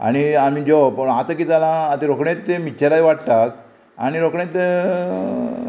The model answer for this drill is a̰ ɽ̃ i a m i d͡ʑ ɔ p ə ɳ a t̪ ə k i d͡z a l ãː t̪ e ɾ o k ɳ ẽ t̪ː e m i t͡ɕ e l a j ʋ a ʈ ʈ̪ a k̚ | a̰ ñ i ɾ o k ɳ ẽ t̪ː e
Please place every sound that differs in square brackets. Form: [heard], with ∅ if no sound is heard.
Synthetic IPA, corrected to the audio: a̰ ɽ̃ i a m i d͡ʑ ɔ p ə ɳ a t̪ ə k i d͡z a l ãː t̪ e ɾ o k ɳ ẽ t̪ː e m i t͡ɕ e l a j ʋ a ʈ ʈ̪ a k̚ | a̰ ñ i ɾ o k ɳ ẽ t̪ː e